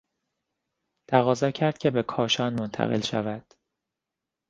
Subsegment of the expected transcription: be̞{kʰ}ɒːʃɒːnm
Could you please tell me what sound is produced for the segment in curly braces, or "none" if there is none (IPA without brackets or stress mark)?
kʰ